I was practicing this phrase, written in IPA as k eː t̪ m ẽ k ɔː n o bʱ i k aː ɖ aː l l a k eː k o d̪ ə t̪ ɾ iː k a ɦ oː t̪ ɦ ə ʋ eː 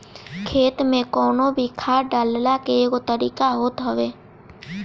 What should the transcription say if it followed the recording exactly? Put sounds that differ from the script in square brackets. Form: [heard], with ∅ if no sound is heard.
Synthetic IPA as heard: [kʰ] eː t̪ m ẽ k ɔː n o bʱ i [kʰ] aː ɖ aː l l a k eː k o [t̪] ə [∅] ɾ iː k a ɦ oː t̪ ɦ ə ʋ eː